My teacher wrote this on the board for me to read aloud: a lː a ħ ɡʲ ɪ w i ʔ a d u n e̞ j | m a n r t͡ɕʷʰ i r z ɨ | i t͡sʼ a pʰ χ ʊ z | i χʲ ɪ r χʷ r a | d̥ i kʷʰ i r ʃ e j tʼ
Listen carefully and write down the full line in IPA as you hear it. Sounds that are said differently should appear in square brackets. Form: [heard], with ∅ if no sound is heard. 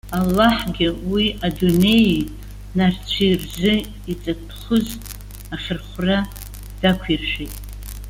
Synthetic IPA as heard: a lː a ħ ɡʲ ɪ w i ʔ a d u n e̞ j | [n] a [∅] r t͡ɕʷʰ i r z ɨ | i t͡sʼ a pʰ χ ʊ z | [a] χʲ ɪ r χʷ r a | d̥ [a] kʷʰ i r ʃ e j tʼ

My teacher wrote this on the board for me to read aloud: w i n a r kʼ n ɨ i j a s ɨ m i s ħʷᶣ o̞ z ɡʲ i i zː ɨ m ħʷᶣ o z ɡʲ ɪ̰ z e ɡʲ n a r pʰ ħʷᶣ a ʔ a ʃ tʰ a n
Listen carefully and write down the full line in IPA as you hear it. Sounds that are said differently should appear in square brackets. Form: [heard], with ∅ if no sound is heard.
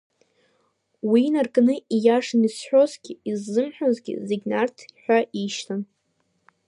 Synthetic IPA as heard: w i n a r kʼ n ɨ i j a [ʂ] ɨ [n] i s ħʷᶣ o̞ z ɡʲ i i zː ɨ m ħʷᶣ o z ɡʲ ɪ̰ z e ɡʲ n a r [tʰ] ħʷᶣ a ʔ [i] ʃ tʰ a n

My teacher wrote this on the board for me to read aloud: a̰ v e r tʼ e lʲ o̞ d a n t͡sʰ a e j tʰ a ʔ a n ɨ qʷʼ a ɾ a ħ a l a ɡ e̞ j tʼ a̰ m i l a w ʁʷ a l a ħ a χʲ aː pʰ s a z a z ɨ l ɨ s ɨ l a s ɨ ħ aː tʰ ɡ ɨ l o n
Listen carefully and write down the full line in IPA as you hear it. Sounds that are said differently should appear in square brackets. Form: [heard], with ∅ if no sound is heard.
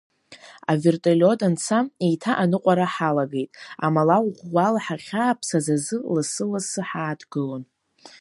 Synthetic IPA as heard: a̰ v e r tʼ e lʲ o̞ d a n t͡sʰ a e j tʰ a ʔ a n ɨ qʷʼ a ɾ a ħ a l a ɡ e̞ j tʼ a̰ m [a] l a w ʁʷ a l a ħ a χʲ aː pʰ s a z a z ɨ l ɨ s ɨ l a s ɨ ħ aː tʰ ɡ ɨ l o n

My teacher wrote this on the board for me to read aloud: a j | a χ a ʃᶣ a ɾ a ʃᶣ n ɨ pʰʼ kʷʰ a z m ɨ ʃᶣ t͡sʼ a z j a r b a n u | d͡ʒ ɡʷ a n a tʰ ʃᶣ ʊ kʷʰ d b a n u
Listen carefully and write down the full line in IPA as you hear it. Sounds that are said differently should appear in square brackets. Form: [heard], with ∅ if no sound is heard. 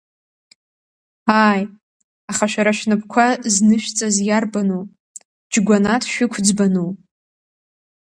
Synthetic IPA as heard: a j | a χ a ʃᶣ a ɾ a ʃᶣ n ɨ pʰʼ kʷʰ a z [n] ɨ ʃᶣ t͡sʼ a z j a r b a n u | d͡ʒ ɡʷ a n a tʰ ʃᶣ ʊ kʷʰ [d͡z] b a n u

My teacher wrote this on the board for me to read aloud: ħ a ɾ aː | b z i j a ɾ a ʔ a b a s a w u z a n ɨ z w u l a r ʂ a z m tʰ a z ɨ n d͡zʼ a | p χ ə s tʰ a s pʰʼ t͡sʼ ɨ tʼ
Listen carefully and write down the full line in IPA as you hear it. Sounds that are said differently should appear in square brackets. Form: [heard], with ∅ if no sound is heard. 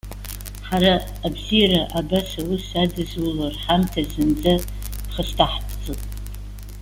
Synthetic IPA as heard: ħ a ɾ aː | b z i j a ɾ a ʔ a b a s a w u [s] a [d] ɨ z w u l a r [ħ] a [∅] m tʰ a z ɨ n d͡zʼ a | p χ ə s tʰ a [ħ] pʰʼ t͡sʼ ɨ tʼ

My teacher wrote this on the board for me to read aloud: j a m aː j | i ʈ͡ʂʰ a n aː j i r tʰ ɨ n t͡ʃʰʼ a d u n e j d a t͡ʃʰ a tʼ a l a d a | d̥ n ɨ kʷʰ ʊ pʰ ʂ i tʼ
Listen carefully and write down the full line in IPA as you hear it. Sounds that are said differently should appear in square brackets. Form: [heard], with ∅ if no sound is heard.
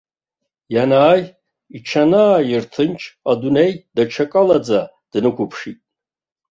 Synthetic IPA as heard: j a [n] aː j | i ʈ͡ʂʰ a n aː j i r tʰ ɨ n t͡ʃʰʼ a d u n e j d a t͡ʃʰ a [kʼ] a l a [d͡z] a | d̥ n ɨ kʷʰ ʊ pʰ ʂ i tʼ

